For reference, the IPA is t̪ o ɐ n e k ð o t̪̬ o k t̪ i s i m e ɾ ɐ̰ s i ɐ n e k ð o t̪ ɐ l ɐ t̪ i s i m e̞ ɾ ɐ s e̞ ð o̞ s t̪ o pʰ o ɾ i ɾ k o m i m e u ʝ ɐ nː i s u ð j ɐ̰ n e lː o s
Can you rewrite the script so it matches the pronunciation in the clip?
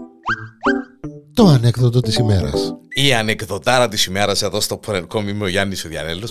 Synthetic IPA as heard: t̪ o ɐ n e k ð o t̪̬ o t̪ i s i m e ɾ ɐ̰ s i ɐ n e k ð o t̪ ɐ ɾ ɐ t̪ i s i m e̞ ɾ ɐ s e̞ ð o̞ s t̪ o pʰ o ɾ e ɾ k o m i m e o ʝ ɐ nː i s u ð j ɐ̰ n e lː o s